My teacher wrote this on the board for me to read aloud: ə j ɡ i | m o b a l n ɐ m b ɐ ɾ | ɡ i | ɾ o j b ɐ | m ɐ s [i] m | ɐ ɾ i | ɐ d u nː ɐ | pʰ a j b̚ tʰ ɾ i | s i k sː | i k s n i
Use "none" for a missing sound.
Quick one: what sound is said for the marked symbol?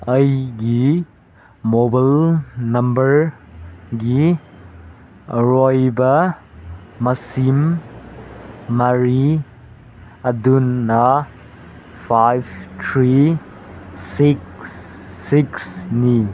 i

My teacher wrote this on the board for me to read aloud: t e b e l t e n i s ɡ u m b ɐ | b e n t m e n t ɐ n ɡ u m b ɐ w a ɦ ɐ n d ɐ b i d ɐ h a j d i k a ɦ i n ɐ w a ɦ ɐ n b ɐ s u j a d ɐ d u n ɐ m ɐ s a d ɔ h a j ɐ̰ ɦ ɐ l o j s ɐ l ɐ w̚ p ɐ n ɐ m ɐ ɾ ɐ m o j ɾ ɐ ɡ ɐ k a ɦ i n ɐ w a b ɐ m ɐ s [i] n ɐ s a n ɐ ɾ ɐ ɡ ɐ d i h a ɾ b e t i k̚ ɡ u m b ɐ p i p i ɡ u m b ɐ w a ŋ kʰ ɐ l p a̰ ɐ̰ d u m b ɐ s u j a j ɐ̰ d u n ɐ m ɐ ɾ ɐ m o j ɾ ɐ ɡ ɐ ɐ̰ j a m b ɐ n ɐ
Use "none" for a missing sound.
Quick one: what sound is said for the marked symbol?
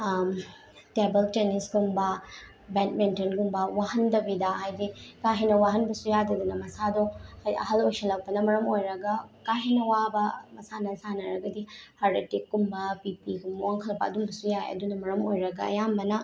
a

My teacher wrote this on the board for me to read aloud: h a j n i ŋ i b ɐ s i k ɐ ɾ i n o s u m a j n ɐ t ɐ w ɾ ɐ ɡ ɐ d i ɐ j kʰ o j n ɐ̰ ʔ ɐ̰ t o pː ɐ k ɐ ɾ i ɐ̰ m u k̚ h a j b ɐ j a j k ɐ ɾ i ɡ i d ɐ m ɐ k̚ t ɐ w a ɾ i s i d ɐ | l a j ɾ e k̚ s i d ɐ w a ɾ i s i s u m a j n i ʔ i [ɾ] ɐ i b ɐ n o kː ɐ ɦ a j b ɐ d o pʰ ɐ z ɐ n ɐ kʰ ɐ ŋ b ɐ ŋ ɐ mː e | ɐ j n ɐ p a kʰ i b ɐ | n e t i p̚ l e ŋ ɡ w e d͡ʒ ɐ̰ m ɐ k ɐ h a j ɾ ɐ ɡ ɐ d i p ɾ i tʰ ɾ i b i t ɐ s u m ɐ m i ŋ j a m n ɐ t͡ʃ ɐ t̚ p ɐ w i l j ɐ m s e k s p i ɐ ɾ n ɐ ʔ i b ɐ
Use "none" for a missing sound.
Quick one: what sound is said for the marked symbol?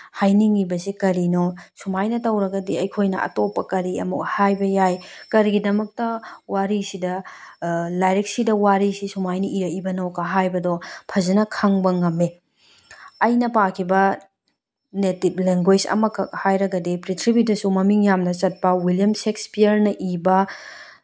ɾ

